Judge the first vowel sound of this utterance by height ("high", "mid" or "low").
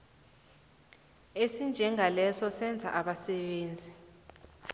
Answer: mid